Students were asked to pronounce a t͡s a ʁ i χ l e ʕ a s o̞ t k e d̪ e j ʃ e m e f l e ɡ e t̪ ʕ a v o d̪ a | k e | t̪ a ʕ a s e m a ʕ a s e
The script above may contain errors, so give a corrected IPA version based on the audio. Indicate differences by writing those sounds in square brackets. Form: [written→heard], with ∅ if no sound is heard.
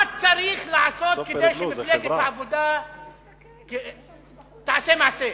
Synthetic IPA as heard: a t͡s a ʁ i χ l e ʕ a s o̞ t k e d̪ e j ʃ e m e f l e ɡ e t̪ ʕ a v o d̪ a | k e | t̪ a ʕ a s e m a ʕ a s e